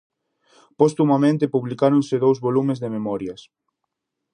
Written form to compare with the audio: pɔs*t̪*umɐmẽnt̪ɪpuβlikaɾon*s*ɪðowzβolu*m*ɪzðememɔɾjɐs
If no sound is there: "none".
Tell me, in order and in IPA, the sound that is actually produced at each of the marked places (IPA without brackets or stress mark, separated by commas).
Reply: t̪, s, m